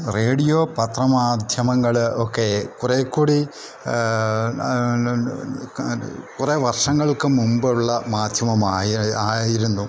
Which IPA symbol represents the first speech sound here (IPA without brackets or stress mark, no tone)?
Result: r